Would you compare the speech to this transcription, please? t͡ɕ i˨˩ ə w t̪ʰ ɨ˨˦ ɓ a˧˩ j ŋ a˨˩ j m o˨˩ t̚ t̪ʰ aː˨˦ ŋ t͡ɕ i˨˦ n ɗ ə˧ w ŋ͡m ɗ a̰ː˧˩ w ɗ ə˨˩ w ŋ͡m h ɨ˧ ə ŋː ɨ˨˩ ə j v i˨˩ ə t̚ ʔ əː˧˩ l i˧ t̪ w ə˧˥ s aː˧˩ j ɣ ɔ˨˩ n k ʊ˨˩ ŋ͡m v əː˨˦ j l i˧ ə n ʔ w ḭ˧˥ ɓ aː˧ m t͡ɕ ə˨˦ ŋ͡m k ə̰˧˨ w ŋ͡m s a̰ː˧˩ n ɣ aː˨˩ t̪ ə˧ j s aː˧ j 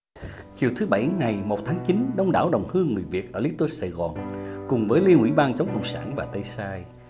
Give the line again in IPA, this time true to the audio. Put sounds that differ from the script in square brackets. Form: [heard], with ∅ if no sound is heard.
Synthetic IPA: t͡ɕ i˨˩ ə w t̪ʰ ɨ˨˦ ɓ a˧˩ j ŋ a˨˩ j m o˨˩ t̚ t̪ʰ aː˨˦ ŋ t͡ɕ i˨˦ n ɗ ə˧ w ŋ͡m ɗ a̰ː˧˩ w ɗ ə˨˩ w ŋ͡m h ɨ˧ ə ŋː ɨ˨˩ ə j v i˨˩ ə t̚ ʔ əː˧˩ l [i˨˦˥] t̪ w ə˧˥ s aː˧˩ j ɣ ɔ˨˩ n k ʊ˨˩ ŋ͡m v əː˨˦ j l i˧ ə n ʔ w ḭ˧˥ ɓ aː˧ [n] t͡ɕ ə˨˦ ŋ͡m k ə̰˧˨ w ŋ͡m s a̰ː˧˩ n [v] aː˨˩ t̪ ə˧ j s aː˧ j